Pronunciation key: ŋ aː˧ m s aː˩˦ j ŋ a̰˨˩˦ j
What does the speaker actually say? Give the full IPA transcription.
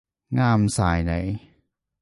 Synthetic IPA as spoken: ŋ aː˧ m s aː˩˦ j n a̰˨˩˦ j

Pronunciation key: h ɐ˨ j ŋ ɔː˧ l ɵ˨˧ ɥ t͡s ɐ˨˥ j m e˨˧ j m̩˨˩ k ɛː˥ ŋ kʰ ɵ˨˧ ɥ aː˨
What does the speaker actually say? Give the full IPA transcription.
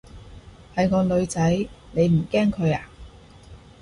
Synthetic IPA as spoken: h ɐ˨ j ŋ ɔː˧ l ɵ˨˧ ɥ t͡s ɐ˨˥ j n e˨˧ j m̩˨˩ k ɛː˥ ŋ kʰ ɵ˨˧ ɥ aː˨

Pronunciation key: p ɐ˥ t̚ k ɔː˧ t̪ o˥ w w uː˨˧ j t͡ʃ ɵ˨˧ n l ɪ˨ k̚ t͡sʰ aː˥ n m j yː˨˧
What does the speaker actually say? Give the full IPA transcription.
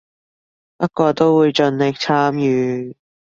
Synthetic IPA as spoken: p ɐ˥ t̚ k ɔː˧ t̪ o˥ w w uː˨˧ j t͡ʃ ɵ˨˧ n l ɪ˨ k̚ t͡sʰ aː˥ m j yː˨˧

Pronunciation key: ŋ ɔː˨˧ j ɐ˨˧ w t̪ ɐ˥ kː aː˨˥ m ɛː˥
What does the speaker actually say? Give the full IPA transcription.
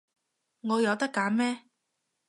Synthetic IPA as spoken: ŋ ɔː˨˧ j ɐ˨˧ w t̪ ɐ˥ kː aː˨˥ m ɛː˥

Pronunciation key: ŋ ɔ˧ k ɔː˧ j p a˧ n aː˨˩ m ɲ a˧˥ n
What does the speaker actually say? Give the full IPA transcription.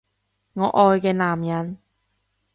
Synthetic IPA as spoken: ŋ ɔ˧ ʔ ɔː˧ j k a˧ n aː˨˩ m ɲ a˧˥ n

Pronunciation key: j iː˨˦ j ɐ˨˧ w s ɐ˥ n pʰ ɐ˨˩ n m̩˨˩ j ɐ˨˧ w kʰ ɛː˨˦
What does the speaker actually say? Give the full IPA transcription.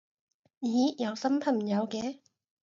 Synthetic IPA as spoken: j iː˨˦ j ɐ˨˧ w s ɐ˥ m pʰ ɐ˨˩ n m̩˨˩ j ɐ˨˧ w k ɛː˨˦

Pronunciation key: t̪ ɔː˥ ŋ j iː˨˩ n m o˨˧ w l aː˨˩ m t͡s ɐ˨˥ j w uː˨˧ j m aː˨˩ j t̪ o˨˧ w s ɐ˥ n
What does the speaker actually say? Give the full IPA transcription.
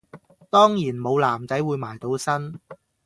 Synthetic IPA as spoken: t̪ ɔː˥ ŋ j iː˨˩ n m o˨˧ w l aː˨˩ m t͡s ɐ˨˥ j w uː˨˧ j m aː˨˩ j t̪ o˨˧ w s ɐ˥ n

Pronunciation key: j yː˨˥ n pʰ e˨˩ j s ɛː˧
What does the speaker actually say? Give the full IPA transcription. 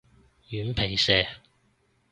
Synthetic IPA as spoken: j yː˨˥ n pʰ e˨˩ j s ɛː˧

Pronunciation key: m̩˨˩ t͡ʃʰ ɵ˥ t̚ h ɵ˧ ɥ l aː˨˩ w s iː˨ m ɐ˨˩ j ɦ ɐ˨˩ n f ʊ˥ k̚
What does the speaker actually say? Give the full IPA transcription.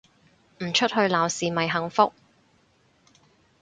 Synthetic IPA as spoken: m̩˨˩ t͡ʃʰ ɵ˥ t̚ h ɵ˧ ɥ l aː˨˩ w s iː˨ m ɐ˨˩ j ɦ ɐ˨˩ ŋ f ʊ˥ k̚

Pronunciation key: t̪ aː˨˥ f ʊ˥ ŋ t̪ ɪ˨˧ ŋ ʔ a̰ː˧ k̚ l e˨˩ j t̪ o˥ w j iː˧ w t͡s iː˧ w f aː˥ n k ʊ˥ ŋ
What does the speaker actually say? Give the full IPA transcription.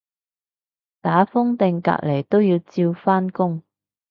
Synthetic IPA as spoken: t̪ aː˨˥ f ʊ˥ ŋ t̪ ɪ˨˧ ŋ k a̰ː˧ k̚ l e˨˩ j t̪ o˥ w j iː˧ w t͡s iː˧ w f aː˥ n k ʊ˥ ŋ

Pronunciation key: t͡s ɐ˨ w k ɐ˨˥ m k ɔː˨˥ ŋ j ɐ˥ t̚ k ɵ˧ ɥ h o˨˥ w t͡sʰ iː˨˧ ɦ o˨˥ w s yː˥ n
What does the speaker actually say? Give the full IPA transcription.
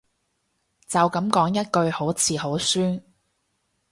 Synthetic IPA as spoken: t͡s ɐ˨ w k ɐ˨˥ m k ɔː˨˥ ŋ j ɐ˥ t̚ k ɵ˧ ɥ h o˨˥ w t͡sʰ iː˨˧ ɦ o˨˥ w s yː˥ n

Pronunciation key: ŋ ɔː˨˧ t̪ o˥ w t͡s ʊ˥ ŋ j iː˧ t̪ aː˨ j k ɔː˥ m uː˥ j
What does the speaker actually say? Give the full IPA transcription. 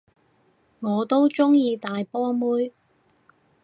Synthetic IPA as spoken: ŋ ɔː˨˧ t̪ o˥ w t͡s ʊ˥ ŋ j iː˧ t̪ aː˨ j p ɔː˥ m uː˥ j

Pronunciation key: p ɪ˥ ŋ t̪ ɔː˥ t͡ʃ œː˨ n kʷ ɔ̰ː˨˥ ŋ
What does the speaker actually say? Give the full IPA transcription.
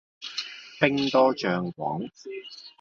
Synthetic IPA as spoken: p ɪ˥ ŋ t̪ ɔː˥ t͡ʃ œː˨ ŋ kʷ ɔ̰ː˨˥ ŋ

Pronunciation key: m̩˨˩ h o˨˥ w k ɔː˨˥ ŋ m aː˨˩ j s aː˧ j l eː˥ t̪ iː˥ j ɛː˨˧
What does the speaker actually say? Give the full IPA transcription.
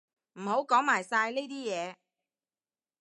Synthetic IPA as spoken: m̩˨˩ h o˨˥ w k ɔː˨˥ ŋ m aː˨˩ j s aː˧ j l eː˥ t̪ iː˥ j ɛː˨˧

